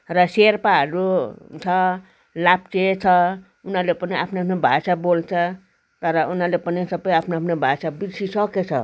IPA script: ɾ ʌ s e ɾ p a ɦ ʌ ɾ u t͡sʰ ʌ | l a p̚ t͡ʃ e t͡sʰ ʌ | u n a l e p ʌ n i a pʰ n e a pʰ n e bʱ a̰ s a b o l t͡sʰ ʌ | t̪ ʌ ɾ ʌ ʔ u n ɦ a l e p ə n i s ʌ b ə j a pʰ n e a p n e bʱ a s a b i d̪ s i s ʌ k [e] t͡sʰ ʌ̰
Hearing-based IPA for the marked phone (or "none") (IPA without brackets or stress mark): e